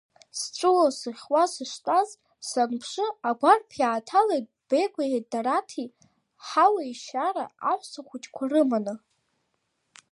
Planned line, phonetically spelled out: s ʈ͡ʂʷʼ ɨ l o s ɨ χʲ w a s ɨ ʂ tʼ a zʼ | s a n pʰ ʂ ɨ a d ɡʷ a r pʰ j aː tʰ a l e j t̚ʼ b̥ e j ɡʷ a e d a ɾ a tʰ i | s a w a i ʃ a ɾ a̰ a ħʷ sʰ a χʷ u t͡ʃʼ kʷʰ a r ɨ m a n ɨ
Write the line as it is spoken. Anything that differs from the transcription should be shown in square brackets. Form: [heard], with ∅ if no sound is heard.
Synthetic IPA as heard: s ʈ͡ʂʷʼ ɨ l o s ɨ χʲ w a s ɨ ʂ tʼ a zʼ | s a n pʰ ʂ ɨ a [∅] ɡʷ a r pʰ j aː tʰ a l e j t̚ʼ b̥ e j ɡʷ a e d a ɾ a tʰ i | [ħ] a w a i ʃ a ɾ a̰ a ħʷ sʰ a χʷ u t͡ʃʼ kʷʰ a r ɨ m a n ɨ